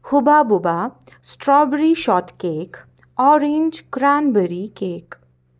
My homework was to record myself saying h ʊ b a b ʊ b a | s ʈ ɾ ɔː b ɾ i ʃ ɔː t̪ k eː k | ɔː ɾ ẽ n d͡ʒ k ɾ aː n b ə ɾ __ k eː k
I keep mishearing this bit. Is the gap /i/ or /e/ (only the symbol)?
i